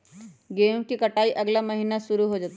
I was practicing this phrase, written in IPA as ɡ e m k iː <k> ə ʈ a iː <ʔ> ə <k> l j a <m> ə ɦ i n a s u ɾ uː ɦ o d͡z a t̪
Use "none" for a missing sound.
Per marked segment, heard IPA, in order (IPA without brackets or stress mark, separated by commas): k, ʔ, ɡ, m